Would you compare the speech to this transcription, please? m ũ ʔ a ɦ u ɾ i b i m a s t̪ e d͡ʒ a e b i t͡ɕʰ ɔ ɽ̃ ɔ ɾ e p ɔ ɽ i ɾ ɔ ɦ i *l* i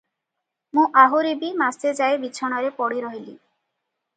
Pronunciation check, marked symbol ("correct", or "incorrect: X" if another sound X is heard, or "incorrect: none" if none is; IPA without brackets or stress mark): correct